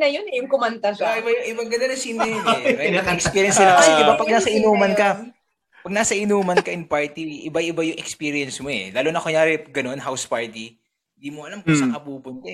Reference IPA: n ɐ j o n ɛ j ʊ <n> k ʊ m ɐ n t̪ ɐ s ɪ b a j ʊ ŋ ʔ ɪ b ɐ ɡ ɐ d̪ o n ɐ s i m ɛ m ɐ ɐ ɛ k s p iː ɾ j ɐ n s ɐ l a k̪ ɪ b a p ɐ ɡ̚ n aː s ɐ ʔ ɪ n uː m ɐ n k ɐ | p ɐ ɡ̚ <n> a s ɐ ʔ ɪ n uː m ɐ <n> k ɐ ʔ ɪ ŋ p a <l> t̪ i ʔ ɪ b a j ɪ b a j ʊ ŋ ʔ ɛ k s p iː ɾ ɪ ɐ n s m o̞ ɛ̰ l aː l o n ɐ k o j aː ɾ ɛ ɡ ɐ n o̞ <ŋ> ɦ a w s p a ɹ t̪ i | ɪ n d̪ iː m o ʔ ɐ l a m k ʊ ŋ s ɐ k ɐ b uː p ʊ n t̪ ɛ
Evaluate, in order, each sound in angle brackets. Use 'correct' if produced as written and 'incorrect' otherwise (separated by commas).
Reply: incorrect, correct, correct, incorrect, incorrect